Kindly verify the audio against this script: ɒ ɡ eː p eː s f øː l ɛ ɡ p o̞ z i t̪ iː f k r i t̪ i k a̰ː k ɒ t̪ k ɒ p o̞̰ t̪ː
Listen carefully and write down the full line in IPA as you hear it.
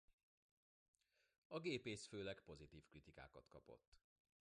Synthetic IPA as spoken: ɒ ɡ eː p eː s f øː l ɛ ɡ p o̞ z i t̪ iː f k r i t̪ i k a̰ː k ɒ t̪ k ɒ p o̞̰ t̪ː